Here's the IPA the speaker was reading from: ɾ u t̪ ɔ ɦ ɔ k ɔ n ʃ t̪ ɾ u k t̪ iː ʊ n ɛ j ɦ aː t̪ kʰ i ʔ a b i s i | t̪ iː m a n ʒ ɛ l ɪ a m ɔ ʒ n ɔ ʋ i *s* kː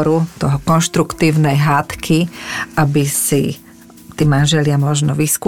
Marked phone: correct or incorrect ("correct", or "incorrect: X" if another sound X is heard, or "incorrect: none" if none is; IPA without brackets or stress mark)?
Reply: correct